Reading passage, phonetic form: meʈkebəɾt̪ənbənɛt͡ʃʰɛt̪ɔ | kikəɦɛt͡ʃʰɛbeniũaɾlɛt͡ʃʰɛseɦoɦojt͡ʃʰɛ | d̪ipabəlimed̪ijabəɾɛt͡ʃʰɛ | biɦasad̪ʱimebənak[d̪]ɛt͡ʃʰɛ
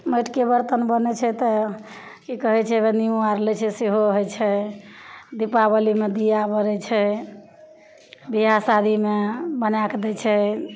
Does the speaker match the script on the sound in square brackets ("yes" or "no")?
yes